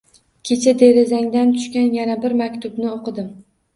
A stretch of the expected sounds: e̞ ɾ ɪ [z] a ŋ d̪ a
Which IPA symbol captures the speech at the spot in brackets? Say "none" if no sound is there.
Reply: z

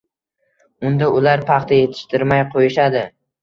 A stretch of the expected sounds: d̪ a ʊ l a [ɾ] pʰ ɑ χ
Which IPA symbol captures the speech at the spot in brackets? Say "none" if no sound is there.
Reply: ɾ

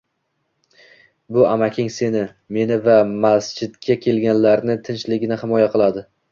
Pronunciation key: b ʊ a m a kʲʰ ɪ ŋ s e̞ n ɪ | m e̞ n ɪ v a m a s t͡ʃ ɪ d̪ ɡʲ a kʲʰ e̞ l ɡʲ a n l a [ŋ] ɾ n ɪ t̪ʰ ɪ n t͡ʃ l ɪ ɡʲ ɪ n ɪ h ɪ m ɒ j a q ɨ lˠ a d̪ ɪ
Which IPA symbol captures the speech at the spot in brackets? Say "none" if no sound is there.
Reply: none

